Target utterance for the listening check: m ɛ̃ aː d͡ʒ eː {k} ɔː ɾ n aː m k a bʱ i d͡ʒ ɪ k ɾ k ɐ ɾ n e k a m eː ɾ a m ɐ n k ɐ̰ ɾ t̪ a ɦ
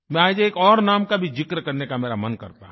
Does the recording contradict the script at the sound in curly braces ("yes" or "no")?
no